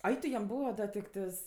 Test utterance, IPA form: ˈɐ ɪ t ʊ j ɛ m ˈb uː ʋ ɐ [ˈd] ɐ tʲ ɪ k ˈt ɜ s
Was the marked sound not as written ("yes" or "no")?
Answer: no